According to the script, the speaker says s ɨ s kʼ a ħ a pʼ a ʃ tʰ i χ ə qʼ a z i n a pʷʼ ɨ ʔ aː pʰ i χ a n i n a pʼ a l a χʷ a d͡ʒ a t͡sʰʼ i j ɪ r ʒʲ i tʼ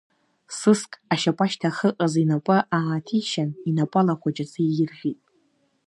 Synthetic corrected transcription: s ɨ s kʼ a ʃ a pʼ a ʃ tʰ a χ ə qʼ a z i n a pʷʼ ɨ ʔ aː tʰ i ʃ a n i n a pʼ a l a χʷ a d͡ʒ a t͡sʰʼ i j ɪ r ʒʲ i tʼ

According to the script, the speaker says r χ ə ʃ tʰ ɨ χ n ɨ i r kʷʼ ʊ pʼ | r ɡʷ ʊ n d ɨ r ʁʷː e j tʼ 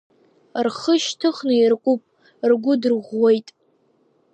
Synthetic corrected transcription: r χ ə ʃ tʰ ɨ χ n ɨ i r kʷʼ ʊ pʼ | r ɡʷ ʊ d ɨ r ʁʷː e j tʼ

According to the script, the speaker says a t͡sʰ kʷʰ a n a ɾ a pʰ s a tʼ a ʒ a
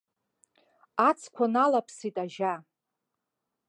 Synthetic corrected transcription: a t͡sʰ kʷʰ a n a l a pʰ s i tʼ a ʒ a

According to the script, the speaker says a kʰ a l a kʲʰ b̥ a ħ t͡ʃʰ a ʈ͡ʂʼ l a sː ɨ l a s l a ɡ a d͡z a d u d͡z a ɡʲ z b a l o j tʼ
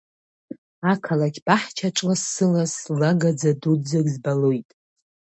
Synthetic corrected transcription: a kʰ a l a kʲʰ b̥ a ħ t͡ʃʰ a ʈ͡ʂʼ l a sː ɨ l a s l a ɡ a d͡z a d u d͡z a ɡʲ z b a l o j tʼ

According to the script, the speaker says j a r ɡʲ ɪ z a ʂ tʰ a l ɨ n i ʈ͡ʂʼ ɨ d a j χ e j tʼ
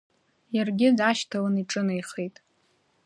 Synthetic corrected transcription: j a r ɡʲ ɪ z a ʃ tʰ a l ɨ n i ʈ͡ʂʼ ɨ n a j χ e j tʼ

